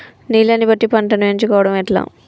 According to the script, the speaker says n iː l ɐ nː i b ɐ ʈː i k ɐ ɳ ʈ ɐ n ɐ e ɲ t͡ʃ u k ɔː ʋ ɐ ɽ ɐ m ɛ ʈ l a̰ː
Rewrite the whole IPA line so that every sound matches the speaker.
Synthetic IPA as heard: n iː l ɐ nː i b ɐ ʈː i p ɐ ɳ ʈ ɐ n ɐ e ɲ t͡ʃ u k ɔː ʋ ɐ ɽ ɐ m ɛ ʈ l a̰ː